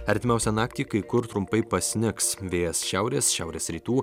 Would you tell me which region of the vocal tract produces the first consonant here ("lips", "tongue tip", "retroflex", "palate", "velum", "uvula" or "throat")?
tongue tip